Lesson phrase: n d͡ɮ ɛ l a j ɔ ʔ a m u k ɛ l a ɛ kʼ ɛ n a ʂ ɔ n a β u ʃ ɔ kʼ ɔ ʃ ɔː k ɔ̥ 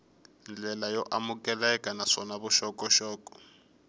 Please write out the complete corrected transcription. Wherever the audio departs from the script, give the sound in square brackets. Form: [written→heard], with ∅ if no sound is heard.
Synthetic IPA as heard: n d͡ɮ ɛ l a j ɔ ʔ a m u k ɛ l a ɛ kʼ [ɛ→a] n a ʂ ɔ n a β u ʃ ɔ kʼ ɔ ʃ ɔː k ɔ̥